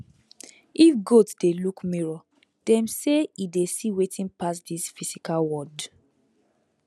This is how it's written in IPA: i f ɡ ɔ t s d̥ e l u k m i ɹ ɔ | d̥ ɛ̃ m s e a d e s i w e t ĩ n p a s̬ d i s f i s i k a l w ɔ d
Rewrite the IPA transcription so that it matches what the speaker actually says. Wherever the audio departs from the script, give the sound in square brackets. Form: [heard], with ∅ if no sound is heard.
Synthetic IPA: i f ɡ [o] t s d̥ e l u k m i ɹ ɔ | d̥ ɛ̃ m s e [i] d e s i w e t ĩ n p a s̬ d i s f i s i k a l w ɔ d